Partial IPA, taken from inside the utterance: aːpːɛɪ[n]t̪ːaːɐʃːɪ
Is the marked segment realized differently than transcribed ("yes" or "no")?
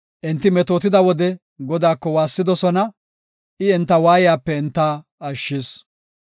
no